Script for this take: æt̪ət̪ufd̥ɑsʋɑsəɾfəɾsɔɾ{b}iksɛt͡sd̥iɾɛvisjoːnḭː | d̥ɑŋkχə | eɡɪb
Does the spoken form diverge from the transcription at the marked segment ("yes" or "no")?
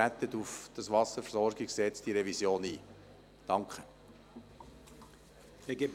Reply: yes